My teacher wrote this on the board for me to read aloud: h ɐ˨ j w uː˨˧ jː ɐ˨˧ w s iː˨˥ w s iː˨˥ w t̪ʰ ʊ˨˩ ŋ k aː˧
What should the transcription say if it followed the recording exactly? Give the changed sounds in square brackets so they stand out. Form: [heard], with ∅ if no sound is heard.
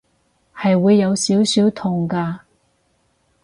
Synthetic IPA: h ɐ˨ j w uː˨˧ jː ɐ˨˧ w s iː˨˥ w s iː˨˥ w t̪ʰ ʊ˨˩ ŋ k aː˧